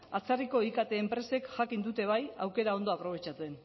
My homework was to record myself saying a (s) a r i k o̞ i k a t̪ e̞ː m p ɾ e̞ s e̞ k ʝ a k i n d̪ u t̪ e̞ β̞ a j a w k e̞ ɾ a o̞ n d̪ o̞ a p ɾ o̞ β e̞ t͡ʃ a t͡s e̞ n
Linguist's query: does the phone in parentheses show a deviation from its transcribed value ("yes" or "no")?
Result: yes